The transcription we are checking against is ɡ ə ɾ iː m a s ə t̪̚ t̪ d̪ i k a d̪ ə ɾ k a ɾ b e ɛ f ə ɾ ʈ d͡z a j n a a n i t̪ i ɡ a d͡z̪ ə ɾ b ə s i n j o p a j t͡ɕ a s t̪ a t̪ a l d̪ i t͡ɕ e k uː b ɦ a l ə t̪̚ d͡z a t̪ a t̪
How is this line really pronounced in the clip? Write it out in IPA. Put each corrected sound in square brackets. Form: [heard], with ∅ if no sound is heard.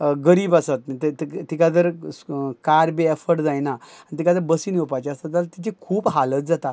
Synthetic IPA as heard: ɡ ə ɾ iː [b] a s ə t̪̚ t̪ [t̪] i k a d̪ ə ɾ k a ɾ b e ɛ f ə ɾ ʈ d͡z a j n a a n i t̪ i [k] a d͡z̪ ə ɾ b ə s i n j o p a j t͡ɕ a s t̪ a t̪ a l [t̪] i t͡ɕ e [kʰ] uː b ɦ a l ə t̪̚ d͡z a t̪ a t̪

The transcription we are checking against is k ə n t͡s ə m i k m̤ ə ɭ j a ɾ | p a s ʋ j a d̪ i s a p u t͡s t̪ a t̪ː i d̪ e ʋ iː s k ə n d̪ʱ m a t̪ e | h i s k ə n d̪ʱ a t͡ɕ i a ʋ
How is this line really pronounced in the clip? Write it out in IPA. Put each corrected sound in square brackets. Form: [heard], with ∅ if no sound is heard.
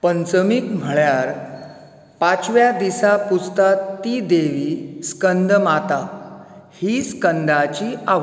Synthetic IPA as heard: [p] ə n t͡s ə m i k m̤ ə ɭ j a ɾ | p a [t͡s] ʋ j a d̪ i s a p u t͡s t̪ a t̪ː i d̪ e ʋ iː s k ə n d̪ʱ m a t̪ [a] | h i s k ə n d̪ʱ a t͡ɕ i a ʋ

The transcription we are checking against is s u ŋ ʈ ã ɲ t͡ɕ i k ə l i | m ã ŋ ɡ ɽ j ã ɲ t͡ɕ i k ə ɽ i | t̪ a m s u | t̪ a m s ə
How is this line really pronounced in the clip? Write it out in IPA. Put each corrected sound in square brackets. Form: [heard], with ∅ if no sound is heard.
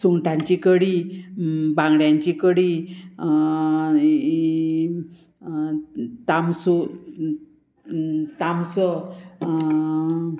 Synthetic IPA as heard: s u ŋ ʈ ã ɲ t͡ɕ i k ə [ɽ] i | [b] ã ŋ ɡ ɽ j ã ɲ t͡ɕ i k ə ɽ i | t̪ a m s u | t̪ a m s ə

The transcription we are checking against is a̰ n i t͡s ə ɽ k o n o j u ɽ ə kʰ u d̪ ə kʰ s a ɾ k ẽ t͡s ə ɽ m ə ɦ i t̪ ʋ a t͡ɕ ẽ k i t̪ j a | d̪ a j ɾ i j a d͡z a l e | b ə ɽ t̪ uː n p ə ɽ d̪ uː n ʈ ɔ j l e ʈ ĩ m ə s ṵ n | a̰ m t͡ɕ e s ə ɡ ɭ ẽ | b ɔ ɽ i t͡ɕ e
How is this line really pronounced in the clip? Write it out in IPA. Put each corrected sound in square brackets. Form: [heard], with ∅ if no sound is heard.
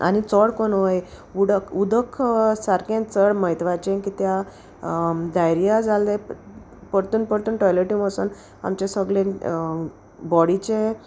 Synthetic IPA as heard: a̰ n i t͡s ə ɽ k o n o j u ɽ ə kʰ u d̪ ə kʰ s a ɾ k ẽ t͡s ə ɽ m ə ɦ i t̪ ʋ a t͡ɕ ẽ k i t̪ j a | d̪ a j ɾ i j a d͡z a l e | [p] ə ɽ t̪ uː n p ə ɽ [t̪] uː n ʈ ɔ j l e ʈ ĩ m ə s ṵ n | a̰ m t͡ɕ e s ə ɡ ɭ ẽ | b ɔ ɽ i t͡ɕ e

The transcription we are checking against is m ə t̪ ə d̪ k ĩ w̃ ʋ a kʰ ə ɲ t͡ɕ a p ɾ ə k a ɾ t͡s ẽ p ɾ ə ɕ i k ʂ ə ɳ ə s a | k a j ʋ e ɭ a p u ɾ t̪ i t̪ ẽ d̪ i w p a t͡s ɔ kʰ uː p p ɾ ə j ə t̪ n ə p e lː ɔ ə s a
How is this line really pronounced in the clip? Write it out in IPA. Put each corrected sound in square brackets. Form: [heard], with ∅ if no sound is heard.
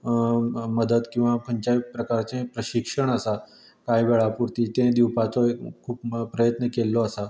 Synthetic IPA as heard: m ə [d̪] ə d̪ k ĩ w̃ ʋ a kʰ ə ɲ t͡ɕ a p ɾ ə k a ɾ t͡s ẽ p ɾ ə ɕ i k ʂ ə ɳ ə s a | k a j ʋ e ɭ a p u ɾ t̪ i t̪ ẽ d̪ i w p a t͡s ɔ kʰ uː p p ɾ ə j ə t̪ n ə [k] e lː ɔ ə s a

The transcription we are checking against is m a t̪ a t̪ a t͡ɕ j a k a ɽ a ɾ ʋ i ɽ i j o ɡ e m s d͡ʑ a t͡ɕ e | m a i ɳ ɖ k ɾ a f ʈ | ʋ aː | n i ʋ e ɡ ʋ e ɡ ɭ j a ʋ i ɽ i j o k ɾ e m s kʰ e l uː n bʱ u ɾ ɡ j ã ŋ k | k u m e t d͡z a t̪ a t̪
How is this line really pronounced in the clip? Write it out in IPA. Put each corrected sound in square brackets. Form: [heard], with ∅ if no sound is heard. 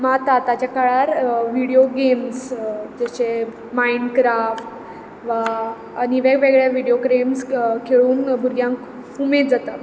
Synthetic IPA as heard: m a t̪ a t̪ a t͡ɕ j a k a [ɭ] a ɾ ʋ i ɽ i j o ɡ e m s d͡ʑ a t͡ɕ e | m a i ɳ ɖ k ɾ a f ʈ | ʋ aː | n i ʋ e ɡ ʋ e ɡ ɭ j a ʋ i ɽ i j o k ɾ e m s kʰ e [ɭ] uː n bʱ u ɾ ɡ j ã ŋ k | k u m e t d͡z a t̪ a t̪

